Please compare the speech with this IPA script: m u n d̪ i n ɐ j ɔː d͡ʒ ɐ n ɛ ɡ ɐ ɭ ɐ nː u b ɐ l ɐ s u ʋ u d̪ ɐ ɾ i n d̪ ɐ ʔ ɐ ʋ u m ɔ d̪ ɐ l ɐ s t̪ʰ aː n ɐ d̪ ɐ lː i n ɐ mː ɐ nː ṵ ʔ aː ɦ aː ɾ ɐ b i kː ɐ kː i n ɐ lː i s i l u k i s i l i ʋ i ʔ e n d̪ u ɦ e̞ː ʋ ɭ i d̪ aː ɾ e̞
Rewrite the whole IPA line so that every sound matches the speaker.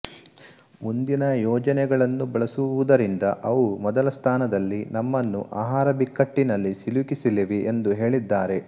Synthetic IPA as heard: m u n d̪ i n ɐ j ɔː d͡ʒ ɐ n ɛ ɡ ɐ ɭ ɐ nː u b ɐ ɭ ɐ s u ʋ u d̪ ɐ ɾ i n d̪ ɐ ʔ ɐ ʋ u m ɔ d̪ ɐ l ɐ s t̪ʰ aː n ɐ d̪ ɐ lː i n ɐ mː ɐ nː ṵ ʔ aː ɦ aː ɾ ɐ b i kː ɐ ʈː i n ɐ lː i s i l u k i s i l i ʋ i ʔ e n d̪ u ɦ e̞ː ɭ i d̪ː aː ɾ e̞